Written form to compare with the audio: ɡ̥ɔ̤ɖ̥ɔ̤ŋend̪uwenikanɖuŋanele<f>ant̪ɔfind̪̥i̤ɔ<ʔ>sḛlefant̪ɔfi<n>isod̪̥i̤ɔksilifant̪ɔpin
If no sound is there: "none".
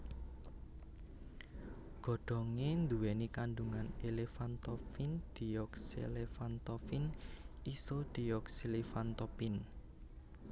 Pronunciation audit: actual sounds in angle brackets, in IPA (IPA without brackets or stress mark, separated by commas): f, k, n